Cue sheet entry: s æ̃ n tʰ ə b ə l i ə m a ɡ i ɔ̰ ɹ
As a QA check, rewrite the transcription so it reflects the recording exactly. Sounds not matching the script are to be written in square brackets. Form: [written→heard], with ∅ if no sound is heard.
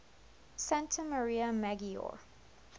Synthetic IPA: s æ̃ n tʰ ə [b→m] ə [l→ɹ] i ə m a ɡ i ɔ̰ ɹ